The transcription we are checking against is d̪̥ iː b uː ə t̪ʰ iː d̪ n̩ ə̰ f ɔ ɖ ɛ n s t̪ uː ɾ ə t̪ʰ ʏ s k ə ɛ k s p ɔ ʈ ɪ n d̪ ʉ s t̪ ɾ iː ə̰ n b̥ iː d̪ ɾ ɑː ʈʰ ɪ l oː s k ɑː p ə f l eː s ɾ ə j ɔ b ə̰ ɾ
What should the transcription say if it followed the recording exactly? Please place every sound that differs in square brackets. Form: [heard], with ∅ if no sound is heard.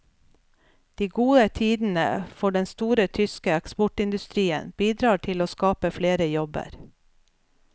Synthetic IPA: d̪̥ iː [ɡ] uː ə t̪ʰ iː d̪ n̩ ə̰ f ɔ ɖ ɛ n s t̪ uː ɾ ə t̪ʰ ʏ s k ə ɛ k s p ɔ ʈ ɪ n d̪ ʉ s t̪ ɾ iː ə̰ n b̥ iː d̪ ɾ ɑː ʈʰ ɪ l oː s k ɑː p ə f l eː [∅] ɾ ə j ɔ b ə̰ ɾ